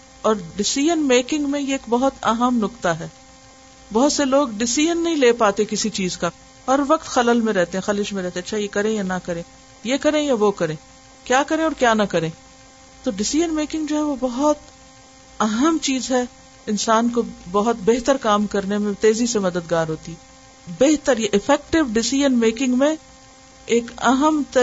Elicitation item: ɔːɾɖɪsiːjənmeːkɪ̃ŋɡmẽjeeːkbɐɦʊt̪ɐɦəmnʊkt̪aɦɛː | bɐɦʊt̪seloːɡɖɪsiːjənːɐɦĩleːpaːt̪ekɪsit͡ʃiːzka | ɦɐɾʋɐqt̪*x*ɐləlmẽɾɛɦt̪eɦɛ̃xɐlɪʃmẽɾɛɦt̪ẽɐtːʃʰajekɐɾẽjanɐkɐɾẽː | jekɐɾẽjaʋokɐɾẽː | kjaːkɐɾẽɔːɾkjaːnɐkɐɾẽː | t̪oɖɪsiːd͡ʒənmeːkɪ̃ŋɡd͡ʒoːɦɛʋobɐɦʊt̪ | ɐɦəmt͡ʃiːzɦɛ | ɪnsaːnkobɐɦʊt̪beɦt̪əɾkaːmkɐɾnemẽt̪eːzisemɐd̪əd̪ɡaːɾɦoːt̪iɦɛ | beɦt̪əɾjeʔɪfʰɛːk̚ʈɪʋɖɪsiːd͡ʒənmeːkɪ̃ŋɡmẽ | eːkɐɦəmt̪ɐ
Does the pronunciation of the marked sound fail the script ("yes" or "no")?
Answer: no